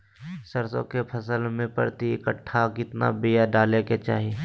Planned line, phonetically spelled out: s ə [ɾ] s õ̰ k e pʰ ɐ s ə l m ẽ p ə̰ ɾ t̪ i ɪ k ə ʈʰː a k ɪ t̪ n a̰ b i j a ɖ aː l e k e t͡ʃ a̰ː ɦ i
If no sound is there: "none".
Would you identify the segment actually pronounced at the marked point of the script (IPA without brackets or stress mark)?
ɾ